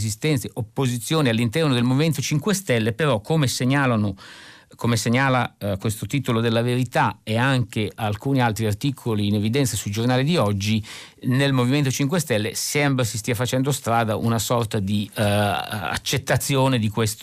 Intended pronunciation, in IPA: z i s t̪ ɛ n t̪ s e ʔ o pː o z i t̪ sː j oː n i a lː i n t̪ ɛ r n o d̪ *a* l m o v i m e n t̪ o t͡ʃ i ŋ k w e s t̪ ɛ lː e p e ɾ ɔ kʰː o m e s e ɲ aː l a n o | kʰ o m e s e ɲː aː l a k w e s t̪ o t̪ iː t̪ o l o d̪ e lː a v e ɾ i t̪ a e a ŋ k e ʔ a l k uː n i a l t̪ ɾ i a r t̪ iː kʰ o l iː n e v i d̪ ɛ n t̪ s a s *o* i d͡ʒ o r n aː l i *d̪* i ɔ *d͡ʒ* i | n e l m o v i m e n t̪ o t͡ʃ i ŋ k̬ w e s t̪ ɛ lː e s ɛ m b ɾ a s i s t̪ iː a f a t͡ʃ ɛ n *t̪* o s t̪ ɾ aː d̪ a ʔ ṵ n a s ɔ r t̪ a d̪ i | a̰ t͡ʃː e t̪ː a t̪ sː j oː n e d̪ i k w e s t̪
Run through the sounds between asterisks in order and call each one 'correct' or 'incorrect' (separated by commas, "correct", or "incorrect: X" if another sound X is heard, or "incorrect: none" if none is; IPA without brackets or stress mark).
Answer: incorrect: e, incorrect: u, correct, incorrect: d͡ʒː, incorrect: d̪